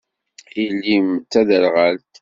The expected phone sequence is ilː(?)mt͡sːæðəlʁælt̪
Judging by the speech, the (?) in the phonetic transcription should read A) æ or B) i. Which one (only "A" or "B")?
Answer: B